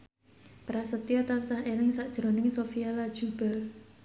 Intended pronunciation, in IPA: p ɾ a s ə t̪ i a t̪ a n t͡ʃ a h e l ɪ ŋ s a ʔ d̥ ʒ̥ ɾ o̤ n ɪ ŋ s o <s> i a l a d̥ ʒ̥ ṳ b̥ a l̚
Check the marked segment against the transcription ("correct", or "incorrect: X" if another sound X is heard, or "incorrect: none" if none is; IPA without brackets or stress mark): incorrect: f